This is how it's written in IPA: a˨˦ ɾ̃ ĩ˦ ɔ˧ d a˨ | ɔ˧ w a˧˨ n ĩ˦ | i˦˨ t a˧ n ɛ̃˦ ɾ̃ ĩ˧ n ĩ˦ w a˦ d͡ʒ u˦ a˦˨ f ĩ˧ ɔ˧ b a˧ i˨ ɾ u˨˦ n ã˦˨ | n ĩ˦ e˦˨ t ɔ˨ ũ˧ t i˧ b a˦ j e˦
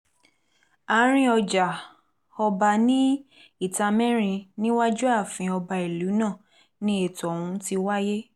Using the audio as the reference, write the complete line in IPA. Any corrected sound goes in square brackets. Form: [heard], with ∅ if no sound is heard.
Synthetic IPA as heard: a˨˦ ɾ̃ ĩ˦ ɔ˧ [d͡ʒ] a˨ | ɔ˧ [b] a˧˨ n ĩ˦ | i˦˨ t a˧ [m] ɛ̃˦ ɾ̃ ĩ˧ n ĩ˦ w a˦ d͡ʒ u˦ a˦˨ f ĩ˧ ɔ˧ b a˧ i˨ [l] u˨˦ n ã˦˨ | n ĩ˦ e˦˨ t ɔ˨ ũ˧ t i˧ [w] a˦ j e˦